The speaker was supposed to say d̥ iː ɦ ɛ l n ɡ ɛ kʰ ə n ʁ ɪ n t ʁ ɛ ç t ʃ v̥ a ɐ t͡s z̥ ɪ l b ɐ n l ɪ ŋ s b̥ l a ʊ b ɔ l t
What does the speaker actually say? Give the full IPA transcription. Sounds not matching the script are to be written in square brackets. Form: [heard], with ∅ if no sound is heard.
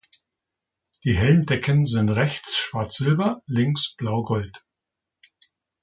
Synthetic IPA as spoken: d̥ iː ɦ ɛ l n [d] ɛ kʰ ə n [z] ɪ n t ʁ ɛ ç [t͡s] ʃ v̥ a ɐ t͡s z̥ ɪ l b ɐ [∅] l ɪ ŋ s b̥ l a ʊ [ɡ] ɔ l t